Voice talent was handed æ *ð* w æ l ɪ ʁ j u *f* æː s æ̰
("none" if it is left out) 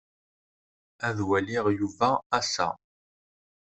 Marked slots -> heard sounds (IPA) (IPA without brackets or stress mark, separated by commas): ð, v